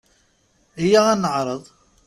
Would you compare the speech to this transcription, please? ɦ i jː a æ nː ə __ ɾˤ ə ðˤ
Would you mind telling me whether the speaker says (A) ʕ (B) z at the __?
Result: A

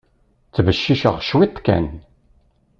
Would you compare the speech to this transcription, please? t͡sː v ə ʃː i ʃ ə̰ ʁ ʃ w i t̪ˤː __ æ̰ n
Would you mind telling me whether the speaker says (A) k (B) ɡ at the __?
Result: A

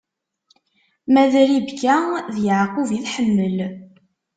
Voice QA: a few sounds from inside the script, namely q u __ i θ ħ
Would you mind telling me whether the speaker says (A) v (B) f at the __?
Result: A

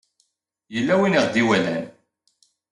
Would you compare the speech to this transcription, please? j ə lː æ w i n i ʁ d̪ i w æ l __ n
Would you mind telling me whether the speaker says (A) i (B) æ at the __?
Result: B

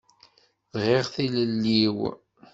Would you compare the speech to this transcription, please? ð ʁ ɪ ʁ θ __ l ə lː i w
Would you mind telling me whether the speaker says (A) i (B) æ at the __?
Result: A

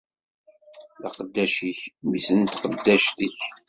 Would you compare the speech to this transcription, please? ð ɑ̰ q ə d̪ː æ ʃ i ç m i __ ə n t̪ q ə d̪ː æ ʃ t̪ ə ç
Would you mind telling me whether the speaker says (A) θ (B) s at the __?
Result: B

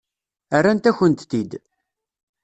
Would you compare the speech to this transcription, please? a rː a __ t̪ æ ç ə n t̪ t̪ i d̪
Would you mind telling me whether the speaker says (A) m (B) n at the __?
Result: B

